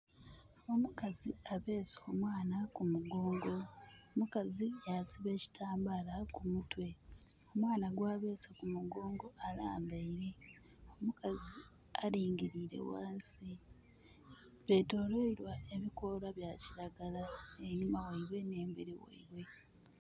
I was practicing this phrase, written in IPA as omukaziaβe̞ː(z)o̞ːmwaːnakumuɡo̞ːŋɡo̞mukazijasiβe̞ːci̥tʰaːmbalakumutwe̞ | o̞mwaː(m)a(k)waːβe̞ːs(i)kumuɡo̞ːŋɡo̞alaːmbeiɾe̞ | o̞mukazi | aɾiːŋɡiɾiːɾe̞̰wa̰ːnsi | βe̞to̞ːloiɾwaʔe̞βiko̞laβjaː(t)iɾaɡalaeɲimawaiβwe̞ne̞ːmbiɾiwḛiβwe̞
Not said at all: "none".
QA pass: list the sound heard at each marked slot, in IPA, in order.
s, n, ɡ, a, c

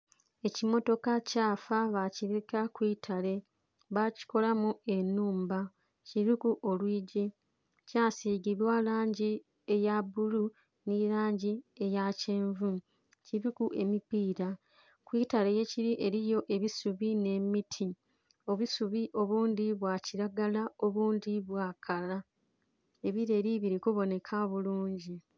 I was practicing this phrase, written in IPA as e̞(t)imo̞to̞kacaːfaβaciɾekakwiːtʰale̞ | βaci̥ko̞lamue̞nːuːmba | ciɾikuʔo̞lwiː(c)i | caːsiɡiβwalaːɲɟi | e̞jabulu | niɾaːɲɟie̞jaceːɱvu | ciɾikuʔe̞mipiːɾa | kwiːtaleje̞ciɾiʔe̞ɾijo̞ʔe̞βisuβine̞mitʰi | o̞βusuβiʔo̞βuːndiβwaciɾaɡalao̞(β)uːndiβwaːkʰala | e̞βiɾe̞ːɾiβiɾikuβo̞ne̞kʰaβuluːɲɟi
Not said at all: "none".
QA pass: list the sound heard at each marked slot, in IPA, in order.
c, ɟ, β

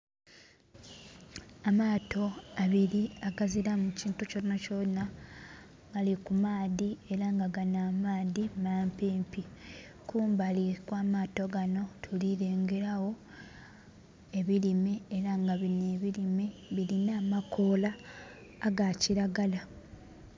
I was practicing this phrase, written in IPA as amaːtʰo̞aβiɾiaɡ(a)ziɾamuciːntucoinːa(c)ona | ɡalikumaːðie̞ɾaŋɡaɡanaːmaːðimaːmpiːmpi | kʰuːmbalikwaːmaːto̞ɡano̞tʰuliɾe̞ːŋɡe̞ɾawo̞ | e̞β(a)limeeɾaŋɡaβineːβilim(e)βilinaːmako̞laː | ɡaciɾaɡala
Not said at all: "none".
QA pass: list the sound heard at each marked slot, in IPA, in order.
a, c, i, e

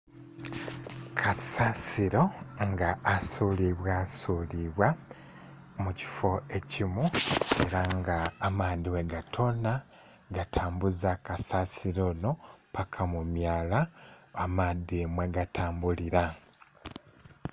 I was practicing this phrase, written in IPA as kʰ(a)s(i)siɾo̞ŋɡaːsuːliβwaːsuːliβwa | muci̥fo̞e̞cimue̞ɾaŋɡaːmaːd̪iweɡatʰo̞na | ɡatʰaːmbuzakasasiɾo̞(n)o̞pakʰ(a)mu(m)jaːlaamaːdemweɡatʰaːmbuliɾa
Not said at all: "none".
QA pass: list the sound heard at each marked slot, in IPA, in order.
a, a, n, a, m

